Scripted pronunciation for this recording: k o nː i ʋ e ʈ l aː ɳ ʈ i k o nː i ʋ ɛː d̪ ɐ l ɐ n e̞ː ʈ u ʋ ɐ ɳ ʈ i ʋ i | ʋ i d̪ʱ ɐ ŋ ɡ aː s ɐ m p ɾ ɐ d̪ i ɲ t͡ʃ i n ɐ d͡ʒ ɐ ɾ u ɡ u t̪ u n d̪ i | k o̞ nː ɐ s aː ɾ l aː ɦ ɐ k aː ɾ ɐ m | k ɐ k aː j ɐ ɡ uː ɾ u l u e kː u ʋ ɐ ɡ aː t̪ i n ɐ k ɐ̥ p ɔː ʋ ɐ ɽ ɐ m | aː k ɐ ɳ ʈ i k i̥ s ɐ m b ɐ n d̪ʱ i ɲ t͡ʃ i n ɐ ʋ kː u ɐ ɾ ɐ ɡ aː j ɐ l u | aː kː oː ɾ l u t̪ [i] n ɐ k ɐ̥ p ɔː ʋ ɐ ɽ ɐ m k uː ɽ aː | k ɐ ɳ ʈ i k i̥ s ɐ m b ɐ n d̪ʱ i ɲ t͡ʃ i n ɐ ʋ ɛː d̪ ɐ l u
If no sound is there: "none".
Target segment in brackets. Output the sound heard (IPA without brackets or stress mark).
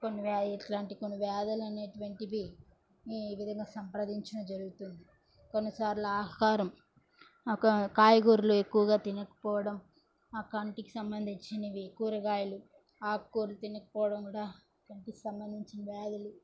i